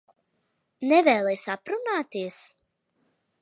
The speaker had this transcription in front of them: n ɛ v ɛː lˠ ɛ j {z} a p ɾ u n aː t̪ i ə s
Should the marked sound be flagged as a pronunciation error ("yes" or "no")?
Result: yes